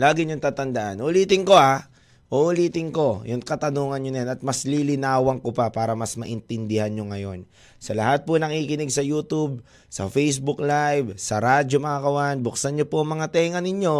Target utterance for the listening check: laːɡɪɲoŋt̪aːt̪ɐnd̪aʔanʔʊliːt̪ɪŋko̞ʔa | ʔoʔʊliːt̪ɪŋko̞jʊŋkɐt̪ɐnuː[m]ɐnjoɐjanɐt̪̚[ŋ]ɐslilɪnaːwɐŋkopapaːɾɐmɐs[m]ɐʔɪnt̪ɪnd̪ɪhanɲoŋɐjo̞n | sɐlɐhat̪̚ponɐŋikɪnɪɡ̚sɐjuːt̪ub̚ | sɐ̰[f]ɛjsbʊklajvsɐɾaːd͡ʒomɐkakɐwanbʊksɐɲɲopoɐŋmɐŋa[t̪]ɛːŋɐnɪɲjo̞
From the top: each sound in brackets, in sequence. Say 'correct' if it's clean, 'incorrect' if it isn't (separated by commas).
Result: incorrect, incorrect, correct, correct, correct